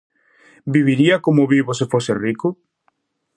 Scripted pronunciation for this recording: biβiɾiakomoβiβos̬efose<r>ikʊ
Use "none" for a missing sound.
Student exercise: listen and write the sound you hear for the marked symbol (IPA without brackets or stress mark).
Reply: r